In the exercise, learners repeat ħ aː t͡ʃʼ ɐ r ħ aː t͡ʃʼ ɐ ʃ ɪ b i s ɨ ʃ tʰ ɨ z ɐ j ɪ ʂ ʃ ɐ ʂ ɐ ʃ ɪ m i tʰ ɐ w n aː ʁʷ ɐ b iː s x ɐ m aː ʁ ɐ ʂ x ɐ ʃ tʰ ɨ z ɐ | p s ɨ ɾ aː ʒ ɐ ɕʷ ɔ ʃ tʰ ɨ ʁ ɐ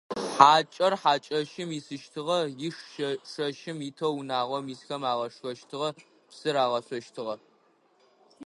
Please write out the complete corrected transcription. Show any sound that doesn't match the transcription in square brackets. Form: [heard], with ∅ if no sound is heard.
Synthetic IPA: ħ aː t͡ʃʼ ɐ r ħ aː t͡ʃʼ ɐ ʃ ɪ [m] i s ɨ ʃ tʰ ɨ [ʁ] ɐ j ɪ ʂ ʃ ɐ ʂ ɐ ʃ ɪ m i tʰ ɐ w n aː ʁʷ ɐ [m] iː s x ɐ m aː ʁ ɐ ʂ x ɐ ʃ tʰ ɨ [ʁ] ɐ | p s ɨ ɾ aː [ʁ] ɐ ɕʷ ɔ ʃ tʰ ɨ ʁ ɐ